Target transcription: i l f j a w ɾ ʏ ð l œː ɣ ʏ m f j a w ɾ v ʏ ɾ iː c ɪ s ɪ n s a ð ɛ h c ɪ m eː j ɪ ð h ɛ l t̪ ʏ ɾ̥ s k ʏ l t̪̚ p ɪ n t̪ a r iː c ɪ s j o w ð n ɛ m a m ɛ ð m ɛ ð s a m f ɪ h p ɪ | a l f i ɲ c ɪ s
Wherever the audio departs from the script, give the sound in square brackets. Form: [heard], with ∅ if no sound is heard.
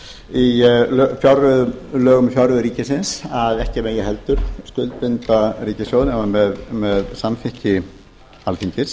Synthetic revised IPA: i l f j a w ɾ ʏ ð l œː ɣ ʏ m f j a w ɾ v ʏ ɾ iː c ɪ s ɪ n s a ð ɛ h c ɪ m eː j ɪ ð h ɛ l t̪ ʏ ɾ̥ s k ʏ l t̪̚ p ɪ n t̪ a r iː c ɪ s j o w ð n ɛ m a m ɛ ð m ɛ ð s a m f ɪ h [c] ɪ | a l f i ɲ c ɪ s